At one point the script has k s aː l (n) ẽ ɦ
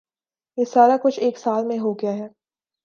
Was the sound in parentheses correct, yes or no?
no